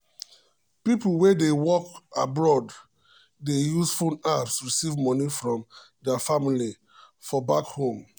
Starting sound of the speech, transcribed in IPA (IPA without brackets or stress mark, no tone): p